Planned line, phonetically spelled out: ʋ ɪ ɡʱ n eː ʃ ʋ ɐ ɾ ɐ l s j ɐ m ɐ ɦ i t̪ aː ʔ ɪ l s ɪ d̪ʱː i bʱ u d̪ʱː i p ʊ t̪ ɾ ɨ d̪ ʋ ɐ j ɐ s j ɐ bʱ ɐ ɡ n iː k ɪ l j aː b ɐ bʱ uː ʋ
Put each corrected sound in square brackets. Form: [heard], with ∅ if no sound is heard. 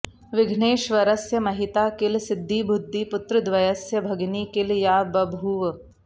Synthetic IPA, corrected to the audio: ʋ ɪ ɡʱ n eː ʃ ʋ ɐ ɾ ɐ [∅] s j ɐ m ɐ ɦ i t̪ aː [k] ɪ l s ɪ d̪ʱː i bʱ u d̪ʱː i p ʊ t̪ ɾ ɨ d̪ ʋ ɐ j ɐ s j ɐ bʱ ɐ ɡ n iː k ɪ l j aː b ɐ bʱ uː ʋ